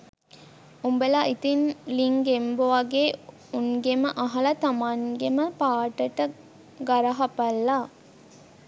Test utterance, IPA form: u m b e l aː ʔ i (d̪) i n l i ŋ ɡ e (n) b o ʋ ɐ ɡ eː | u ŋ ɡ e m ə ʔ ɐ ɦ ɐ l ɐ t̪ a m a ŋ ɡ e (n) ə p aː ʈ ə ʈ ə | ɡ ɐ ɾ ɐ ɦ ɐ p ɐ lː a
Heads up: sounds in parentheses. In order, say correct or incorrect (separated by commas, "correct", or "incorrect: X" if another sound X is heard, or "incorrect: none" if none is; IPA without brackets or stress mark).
incorrect: t̪, incorrect: m, incorrect: m